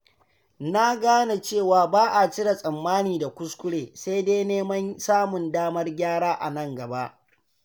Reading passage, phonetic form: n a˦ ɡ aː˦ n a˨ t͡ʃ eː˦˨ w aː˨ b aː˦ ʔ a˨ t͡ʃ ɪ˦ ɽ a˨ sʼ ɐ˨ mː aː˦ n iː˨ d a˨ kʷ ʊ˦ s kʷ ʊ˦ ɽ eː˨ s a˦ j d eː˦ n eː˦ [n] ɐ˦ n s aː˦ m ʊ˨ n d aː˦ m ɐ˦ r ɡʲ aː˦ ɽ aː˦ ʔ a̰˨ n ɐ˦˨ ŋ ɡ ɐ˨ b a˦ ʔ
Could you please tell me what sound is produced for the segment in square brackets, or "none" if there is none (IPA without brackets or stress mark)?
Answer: m